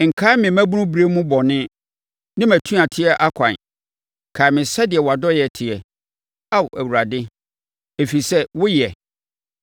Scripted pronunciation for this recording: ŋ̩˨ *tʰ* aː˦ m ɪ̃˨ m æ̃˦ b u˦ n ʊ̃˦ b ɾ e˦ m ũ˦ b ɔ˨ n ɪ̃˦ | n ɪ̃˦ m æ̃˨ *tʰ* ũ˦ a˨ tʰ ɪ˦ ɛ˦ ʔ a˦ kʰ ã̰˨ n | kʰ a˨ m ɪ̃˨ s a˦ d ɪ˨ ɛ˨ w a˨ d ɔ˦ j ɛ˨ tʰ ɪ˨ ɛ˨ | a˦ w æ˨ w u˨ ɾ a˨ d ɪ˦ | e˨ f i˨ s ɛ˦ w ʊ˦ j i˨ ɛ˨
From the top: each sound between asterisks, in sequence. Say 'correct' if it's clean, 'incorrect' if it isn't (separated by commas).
incorrect, correct